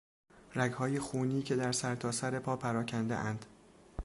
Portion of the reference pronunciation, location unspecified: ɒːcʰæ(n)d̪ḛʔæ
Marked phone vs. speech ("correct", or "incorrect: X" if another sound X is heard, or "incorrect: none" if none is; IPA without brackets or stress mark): correct